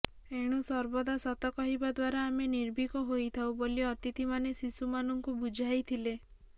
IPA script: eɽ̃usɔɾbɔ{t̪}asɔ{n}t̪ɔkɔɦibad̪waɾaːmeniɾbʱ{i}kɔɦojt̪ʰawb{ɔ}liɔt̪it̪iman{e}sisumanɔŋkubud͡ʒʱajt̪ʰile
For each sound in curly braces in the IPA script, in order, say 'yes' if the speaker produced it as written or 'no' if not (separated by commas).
no, no, yes, no, yes